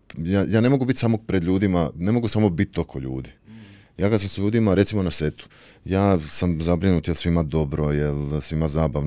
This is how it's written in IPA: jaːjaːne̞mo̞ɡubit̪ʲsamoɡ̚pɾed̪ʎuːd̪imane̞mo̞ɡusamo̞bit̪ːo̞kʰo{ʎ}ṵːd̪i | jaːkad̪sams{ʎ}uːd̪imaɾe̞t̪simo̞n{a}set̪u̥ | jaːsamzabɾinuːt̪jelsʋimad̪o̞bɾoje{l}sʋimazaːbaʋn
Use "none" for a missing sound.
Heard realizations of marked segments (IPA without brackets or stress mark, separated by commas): ʎ, ʎ, a, l